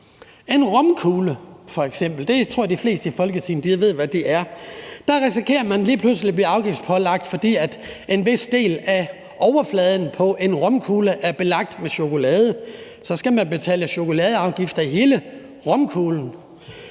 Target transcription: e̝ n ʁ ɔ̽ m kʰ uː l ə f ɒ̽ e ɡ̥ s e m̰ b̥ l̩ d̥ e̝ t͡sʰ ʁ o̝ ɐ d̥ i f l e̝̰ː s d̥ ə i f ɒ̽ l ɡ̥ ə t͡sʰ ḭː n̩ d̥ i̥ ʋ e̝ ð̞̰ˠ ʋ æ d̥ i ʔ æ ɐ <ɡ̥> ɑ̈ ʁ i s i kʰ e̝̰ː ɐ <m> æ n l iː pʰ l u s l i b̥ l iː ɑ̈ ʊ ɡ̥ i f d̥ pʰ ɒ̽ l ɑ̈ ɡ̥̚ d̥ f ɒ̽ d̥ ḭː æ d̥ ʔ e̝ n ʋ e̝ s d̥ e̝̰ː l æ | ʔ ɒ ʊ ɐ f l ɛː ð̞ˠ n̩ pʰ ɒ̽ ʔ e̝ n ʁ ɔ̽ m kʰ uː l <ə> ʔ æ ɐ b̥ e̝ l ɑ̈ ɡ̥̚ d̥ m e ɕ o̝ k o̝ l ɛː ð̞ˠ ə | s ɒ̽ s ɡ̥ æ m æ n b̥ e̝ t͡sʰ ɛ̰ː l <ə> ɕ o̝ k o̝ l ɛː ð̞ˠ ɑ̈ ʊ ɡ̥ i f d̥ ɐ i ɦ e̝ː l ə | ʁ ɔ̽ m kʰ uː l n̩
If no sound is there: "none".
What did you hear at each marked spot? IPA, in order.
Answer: d̥, m, ə, ə

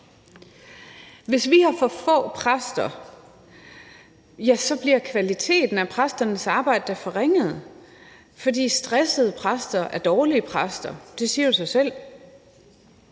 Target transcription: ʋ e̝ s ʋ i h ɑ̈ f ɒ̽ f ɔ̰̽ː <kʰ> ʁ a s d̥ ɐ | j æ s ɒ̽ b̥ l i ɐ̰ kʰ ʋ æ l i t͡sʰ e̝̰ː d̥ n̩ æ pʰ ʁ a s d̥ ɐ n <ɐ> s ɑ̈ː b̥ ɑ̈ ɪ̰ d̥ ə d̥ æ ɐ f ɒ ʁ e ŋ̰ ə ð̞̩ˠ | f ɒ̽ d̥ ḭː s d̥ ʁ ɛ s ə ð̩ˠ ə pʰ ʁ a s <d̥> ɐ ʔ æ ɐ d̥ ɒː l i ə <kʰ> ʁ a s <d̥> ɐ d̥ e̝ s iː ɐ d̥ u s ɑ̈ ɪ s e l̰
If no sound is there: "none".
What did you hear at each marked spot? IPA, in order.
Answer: pʰ, ə, d̥, pʰ, d̥

